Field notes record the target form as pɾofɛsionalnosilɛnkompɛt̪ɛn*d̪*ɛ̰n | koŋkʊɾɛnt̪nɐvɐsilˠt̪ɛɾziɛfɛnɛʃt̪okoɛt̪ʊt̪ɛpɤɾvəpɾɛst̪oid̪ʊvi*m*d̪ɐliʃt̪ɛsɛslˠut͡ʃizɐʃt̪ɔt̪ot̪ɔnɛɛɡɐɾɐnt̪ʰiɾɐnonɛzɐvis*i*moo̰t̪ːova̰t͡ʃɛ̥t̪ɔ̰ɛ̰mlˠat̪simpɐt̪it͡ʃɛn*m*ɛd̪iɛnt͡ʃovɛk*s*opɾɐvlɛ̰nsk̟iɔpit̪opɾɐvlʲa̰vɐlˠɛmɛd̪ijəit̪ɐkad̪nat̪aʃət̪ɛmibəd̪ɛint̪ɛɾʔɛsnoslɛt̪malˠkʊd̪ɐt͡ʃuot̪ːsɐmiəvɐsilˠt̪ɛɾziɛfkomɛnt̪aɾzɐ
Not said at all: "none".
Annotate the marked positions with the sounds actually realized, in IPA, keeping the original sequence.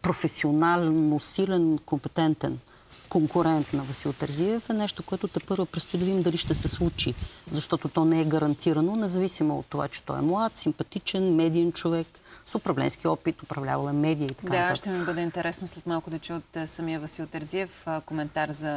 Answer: t̪, m, i, m, s

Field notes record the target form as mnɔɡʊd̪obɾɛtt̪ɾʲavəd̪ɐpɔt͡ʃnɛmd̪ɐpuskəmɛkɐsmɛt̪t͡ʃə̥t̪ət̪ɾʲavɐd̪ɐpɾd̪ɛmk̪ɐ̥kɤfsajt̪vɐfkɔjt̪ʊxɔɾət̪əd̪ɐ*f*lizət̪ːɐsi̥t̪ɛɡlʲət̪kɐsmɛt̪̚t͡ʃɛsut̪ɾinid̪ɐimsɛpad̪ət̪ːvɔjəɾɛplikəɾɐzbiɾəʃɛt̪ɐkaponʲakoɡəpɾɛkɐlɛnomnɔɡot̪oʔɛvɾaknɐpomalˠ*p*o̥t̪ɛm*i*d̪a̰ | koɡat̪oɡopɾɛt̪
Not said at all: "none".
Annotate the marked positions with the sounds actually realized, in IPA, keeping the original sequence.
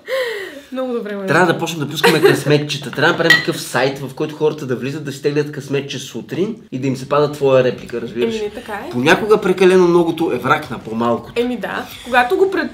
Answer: v, k, i

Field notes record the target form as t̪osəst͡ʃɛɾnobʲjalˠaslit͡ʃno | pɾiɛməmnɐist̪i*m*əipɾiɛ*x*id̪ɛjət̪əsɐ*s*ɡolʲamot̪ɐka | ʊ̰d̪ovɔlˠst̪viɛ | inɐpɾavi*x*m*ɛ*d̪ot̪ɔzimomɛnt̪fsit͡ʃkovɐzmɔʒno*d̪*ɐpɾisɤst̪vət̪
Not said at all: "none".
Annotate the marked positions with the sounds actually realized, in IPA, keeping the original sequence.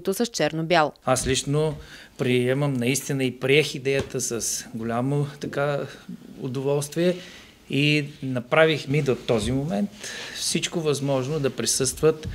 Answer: n, x, s, x, i, d̪

